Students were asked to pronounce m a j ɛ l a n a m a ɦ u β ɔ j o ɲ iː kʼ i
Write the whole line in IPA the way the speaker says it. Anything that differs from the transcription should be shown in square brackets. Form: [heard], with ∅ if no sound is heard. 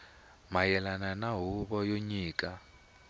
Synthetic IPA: m a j ɛ l a n a [n] a ɦ u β ɔ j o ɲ iː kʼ [a]